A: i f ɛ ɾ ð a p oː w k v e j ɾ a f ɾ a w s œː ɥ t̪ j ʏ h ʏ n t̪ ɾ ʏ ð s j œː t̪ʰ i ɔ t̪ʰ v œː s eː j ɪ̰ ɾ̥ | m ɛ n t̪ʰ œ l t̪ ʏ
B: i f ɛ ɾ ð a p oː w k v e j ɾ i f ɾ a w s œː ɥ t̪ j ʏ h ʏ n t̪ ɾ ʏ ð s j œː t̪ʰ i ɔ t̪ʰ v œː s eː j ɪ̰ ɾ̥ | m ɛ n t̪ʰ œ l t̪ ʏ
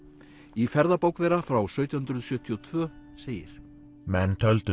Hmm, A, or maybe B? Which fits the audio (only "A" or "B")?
A